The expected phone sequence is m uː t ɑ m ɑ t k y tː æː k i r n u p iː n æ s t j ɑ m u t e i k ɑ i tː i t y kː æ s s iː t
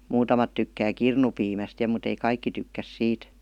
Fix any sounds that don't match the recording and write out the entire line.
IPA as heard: m uː t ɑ m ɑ t t y kː æː k i r n u p iː m æ s t j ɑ m u t e i k ɑ i kː i t y kː æ s s iː t